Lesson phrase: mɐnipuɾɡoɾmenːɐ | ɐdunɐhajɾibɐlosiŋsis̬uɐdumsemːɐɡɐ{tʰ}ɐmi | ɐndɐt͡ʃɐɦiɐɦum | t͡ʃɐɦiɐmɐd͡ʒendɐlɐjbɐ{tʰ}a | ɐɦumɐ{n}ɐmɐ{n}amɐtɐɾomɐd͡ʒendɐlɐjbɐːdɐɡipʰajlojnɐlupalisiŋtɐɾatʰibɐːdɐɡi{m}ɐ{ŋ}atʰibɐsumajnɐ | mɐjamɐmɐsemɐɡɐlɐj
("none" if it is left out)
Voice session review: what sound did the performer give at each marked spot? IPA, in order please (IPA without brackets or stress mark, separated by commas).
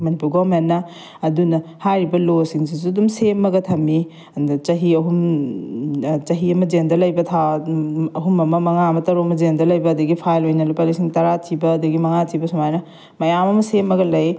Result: tʰ, tʰ, m, ŋ, m, ŋ